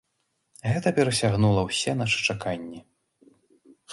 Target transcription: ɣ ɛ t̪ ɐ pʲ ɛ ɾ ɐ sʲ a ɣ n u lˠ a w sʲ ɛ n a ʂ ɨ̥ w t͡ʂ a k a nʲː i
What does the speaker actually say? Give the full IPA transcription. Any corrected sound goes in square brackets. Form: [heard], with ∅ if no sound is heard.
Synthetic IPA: ɣ ɛ t̪ ɐ pʲ ɛ ɾ ɐ sʲ a ɣ n u lˠ [ɐ] w sʲ ɛ n a ʂ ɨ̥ [∅] t͡ʂ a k a nʲː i